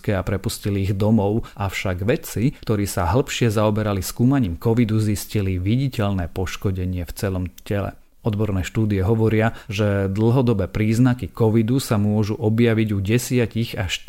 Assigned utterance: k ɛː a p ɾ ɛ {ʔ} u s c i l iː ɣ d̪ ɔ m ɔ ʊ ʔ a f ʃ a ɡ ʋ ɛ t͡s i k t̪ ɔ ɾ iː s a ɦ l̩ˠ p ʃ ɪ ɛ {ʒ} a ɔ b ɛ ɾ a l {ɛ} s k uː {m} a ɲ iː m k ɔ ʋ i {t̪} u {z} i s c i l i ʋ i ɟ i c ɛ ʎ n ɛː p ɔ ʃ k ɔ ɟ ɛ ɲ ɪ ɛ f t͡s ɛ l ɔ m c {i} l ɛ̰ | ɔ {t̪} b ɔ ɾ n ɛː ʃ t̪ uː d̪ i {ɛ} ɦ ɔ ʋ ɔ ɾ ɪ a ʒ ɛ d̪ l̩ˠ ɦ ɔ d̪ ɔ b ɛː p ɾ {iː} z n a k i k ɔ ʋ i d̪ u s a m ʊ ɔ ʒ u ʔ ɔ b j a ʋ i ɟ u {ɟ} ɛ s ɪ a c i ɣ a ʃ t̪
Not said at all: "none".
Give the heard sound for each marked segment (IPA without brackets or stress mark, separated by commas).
p, z, i, m, d̪, z, ɛ, d̪, ɛ, iː, ɟ